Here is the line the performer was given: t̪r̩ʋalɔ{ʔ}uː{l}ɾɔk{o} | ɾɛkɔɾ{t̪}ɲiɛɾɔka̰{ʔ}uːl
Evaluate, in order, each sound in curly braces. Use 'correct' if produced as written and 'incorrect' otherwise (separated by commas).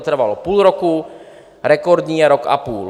incorrect, correct, incorrect, incorrect, incorrect